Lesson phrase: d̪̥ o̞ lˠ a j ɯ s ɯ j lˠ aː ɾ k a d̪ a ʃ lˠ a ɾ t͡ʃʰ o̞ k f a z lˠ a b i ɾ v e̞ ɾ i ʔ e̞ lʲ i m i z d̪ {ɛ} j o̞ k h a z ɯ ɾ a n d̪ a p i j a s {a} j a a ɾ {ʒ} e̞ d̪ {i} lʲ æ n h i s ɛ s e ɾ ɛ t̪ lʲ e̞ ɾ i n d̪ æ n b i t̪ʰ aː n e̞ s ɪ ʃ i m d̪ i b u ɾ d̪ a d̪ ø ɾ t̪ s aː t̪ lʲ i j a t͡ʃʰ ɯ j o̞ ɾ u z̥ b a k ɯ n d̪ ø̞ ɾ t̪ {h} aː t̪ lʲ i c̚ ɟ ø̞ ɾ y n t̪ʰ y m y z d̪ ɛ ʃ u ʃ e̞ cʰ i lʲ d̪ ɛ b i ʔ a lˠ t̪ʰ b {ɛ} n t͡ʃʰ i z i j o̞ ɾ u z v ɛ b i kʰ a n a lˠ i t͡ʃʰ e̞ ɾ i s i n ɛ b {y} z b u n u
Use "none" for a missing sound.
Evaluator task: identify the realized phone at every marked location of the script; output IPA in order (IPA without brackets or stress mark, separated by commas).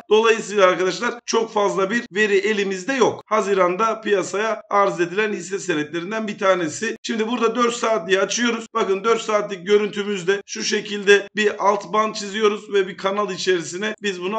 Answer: ɛ, a, z, i, s, a, i